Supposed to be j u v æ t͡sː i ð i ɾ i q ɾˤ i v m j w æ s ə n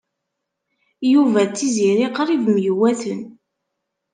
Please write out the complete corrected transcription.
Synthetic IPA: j u v æ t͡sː i z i ɾ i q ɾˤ i v m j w æ θ ə n